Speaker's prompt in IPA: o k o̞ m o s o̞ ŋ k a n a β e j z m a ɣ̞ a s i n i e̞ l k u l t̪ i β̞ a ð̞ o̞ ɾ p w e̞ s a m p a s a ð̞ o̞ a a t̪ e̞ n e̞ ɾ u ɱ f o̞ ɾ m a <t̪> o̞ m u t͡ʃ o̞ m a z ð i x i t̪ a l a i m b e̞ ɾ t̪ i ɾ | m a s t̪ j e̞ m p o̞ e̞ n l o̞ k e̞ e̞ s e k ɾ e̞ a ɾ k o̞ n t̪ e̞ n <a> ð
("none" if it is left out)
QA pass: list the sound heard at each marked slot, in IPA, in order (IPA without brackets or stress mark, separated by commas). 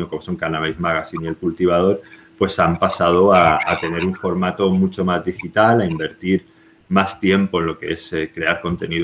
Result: t̪, i